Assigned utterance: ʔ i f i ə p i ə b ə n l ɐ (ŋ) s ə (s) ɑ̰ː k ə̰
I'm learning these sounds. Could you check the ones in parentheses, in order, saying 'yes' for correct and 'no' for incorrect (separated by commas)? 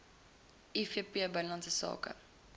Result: no, yes